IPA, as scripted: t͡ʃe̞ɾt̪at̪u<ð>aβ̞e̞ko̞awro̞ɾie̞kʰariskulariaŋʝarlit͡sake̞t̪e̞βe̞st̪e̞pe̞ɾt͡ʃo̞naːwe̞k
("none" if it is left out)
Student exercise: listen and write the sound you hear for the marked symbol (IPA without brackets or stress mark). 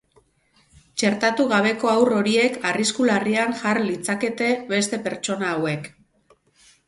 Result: ɣ